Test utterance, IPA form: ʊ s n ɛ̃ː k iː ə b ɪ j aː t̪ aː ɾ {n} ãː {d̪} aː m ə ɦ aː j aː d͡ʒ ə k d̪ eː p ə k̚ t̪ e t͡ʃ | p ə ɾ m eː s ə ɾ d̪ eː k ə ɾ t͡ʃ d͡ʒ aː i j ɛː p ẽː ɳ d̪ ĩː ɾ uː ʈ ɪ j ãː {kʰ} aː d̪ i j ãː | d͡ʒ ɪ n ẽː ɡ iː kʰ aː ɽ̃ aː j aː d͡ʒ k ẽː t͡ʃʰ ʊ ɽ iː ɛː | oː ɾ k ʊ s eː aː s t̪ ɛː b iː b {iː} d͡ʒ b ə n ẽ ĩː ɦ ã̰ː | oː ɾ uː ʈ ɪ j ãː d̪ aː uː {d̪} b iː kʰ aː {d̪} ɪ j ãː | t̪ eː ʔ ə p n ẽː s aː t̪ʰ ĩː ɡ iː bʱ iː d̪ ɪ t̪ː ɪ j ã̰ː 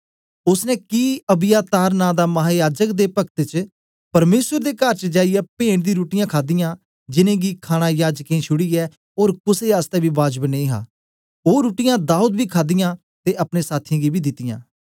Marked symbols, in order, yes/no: yes, yes, yes, no, yes, yes

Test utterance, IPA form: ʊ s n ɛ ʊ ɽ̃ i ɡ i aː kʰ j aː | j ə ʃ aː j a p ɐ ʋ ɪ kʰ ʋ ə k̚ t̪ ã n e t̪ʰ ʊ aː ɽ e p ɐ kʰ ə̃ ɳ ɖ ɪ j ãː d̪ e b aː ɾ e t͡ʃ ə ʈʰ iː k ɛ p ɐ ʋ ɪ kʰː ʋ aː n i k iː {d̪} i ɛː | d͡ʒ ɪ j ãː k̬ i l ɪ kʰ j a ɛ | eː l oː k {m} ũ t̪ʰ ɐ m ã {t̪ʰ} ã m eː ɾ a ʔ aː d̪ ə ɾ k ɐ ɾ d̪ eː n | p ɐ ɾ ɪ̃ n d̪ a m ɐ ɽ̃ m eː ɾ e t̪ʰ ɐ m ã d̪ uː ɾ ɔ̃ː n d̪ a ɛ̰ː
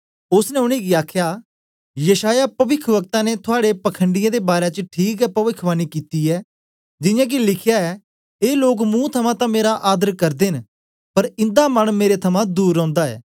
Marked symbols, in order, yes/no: no, yes, no

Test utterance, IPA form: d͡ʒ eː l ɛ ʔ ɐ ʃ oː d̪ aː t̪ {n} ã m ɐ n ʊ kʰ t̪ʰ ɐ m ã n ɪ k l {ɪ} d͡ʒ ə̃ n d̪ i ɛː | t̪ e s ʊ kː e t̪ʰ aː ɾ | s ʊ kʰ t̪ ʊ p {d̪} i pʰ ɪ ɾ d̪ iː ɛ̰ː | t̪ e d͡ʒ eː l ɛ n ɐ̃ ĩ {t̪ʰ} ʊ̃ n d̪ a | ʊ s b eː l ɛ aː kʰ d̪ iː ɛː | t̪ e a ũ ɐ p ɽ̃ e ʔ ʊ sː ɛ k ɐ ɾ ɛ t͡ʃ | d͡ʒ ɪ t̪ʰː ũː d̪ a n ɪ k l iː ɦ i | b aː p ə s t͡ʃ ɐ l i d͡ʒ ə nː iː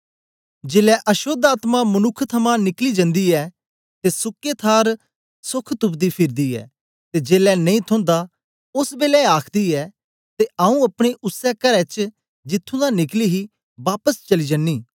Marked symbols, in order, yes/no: no, no, yes, yes

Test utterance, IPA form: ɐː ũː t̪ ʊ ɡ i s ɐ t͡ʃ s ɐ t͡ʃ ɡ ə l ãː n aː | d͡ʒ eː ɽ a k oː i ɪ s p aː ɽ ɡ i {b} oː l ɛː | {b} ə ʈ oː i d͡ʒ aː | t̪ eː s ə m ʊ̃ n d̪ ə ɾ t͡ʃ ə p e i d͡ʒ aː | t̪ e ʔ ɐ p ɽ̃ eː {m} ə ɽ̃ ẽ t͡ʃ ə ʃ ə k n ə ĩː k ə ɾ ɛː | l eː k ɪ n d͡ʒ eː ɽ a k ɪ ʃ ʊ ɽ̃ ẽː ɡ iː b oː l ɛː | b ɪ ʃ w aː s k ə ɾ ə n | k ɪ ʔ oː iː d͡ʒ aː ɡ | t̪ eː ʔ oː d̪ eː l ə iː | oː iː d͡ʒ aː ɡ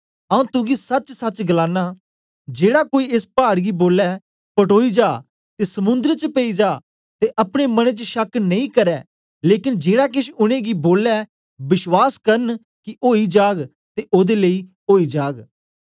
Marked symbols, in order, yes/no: yes, no, yes

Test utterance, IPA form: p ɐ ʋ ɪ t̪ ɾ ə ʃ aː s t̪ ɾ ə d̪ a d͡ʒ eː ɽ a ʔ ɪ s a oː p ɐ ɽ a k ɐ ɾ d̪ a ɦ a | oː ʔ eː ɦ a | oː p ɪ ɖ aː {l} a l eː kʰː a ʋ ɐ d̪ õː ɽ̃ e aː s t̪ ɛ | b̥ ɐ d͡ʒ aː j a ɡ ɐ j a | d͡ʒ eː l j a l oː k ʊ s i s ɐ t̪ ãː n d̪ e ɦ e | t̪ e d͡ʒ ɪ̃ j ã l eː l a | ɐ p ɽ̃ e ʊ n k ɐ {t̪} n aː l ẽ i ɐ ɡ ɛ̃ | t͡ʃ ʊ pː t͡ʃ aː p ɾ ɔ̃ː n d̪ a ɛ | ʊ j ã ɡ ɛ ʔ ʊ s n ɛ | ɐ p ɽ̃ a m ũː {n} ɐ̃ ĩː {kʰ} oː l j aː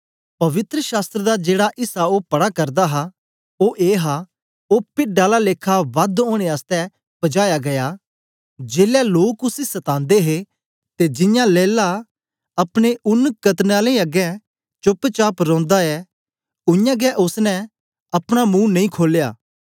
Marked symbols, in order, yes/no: yes, yes, yes, yes

